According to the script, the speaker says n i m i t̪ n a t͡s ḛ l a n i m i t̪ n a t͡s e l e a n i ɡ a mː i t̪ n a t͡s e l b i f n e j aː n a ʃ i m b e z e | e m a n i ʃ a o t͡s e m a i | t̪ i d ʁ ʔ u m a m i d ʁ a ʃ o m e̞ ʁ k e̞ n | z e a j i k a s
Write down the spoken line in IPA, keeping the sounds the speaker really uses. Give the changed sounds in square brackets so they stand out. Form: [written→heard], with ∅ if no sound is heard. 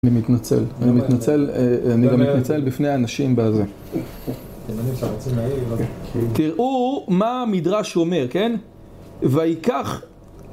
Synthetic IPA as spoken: n i m i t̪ n a t͡s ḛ l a n i m i t̪ n a t͡s e l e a n i ɡ a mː i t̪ n a t͡s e l b i f n e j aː n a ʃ i m b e z e | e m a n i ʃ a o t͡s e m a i | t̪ i [d→∅] ʁ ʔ u m a m i d ʁ a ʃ o m e̞ ʁ k e̞ n | [z→v] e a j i k a [s→χ]